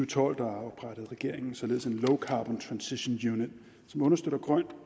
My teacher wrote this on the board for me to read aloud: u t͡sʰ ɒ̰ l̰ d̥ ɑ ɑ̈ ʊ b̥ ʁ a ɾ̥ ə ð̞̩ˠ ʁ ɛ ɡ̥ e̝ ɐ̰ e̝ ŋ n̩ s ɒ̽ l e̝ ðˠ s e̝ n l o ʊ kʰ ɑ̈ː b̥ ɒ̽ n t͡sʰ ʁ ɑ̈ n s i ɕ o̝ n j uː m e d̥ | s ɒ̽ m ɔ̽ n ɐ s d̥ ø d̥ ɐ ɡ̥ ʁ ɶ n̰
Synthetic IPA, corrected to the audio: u t͡sʰ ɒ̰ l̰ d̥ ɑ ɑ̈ ʊ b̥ ʁ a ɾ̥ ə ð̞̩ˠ ʁ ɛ ɡ̥ e̝ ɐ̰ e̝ ŋ n̩ s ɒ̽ l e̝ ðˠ s e̝ n l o ʊ kʰ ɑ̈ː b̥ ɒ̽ n t͡sʰ ʁ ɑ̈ n s i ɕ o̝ n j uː n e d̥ | s ɒ̽ m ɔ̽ n ɐ s d̥ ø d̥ ɐ ɡ̥ ʁ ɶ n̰